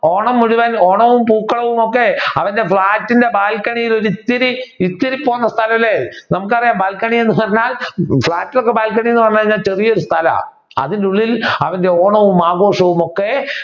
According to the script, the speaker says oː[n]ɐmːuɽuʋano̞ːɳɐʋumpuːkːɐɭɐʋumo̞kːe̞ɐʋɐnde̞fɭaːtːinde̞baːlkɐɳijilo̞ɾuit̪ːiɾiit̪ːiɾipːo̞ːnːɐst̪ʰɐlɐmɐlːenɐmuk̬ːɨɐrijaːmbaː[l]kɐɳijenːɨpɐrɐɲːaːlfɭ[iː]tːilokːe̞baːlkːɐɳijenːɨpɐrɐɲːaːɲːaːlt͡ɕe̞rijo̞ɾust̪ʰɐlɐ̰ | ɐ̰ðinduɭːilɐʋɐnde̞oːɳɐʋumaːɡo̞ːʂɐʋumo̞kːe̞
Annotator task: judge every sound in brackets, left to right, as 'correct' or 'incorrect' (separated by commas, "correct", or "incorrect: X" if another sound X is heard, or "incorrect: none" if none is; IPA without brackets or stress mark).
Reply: incorrect: ɳ, correct, incorrect: aː